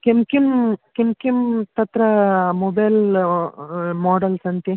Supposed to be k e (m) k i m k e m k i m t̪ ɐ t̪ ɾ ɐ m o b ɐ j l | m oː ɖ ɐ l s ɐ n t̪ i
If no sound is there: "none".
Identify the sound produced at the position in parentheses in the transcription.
m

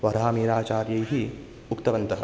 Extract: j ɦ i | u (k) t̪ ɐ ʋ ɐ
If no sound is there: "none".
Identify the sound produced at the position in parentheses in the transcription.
k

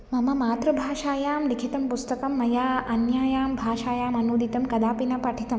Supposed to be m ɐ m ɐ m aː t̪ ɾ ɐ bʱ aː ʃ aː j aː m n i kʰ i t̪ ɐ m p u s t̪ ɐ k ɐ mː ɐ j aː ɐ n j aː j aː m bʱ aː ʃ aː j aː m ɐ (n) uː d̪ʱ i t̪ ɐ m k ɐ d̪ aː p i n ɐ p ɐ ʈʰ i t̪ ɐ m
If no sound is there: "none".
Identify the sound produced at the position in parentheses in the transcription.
n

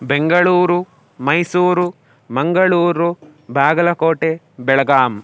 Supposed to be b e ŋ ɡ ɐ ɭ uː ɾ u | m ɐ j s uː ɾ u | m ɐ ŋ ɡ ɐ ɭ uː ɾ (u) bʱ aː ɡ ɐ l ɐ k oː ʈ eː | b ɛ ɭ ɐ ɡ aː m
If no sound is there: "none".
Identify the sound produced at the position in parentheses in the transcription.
u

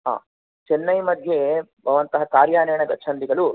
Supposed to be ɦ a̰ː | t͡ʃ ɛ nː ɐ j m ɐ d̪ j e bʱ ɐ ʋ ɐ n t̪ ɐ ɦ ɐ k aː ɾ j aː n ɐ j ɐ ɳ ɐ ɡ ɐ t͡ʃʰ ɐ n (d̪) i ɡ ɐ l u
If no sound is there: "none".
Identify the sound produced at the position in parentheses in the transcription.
d̪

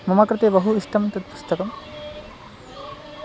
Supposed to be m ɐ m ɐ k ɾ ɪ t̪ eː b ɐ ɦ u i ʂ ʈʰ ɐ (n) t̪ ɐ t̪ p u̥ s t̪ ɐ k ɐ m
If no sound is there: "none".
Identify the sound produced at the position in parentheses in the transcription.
m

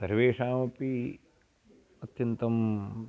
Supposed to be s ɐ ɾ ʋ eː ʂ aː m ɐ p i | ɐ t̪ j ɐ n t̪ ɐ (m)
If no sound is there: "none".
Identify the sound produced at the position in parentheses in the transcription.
m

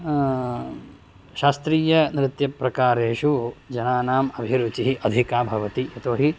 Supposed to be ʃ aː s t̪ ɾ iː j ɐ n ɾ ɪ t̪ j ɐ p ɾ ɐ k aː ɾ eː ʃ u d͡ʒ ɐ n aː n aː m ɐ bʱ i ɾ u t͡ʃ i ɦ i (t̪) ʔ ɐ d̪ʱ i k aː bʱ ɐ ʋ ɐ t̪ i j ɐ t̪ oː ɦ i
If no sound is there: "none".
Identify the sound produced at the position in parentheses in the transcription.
none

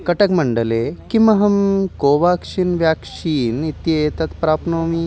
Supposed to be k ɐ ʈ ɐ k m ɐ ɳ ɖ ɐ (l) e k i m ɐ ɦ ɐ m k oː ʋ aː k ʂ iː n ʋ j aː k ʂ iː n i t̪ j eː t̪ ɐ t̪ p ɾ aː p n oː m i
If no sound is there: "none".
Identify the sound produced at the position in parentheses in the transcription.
l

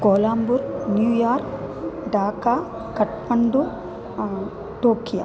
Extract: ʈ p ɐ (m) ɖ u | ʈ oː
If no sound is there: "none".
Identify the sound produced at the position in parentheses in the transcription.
ɳ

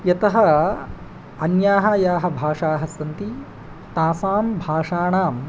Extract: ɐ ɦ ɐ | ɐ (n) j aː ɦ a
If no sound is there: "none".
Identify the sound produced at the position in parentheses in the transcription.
n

